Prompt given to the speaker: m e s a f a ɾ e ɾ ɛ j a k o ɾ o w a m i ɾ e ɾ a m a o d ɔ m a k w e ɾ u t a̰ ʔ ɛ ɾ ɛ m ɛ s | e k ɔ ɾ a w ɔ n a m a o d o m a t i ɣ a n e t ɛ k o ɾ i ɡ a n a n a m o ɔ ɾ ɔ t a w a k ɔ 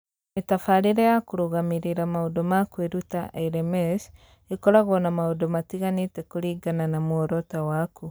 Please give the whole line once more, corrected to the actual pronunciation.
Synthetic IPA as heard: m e t a f a ɾ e ɾ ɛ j a k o ɾ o ɣ a m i ɾ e ɾ a m a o d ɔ m a k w e ɾ u t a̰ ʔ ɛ ɾ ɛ m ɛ s | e k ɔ ɾ a ɣ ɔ n a m a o d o m a t i ɣ a n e t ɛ k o ɾ i ɡ a n a n a m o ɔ ɾ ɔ t a w a k u